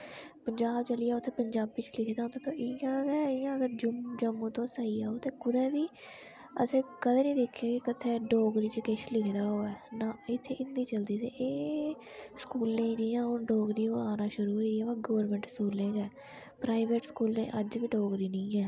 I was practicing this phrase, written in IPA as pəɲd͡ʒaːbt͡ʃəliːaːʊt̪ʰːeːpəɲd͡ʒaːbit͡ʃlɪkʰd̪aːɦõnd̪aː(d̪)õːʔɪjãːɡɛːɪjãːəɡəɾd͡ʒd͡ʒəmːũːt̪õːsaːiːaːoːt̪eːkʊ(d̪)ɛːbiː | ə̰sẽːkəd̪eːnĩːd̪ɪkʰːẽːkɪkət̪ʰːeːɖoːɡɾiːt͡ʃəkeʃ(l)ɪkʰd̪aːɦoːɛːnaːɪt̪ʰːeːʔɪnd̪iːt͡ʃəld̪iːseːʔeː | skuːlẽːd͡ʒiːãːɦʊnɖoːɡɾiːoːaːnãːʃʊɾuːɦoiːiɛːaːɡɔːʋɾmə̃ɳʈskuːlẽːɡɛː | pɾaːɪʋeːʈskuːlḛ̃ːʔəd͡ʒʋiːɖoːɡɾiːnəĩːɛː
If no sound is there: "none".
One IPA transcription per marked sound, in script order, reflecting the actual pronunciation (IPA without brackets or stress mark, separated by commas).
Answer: t̪, d̪, l